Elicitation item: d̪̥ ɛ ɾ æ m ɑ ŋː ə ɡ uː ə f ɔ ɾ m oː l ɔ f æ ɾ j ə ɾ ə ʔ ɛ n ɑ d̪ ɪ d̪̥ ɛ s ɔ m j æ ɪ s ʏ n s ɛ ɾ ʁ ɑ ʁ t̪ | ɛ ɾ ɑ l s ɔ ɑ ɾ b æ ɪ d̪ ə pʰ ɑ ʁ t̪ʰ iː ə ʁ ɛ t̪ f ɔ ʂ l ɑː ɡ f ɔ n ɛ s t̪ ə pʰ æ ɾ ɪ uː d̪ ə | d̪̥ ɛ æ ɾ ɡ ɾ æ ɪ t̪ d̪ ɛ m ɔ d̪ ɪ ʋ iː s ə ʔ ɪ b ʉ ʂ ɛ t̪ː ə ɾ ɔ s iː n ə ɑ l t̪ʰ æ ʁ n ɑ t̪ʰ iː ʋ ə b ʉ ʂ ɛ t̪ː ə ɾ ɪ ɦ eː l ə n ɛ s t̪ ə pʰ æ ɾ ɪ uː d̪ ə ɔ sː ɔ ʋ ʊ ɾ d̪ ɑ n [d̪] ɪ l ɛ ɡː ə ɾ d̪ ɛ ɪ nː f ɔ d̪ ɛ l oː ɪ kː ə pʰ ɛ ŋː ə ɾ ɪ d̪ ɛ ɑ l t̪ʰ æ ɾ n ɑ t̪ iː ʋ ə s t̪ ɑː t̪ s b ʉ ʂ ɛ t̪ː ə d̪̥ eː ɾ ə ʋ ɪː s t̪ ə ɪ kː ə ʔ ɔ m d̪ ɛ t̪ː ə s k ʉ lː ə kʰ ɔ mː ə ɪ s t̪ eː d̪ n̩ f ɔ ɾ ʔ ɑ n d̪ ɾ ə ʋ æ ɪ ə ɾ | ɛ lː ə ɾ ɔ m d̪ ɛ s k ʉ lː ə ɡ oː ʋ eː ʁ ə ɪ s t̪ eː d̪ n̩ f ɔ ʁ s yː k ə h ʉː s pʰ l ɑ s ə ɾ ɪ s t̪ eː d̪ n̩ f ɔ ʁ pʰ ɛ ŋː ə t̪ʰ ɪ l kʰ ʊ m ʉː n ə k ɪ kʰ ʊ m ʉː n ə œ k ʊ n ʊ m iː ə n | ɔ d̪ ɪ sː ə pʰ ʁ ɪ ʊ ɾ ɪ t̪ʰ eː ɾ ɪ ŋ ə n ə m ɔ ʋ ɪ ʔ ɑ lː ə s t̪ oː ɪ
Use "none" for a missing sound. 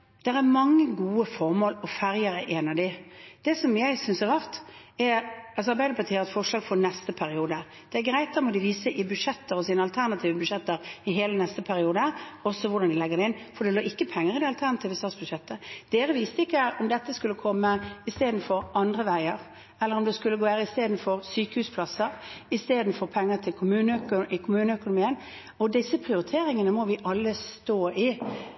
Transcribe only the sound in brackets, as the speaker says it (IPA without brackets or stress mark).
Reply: d̪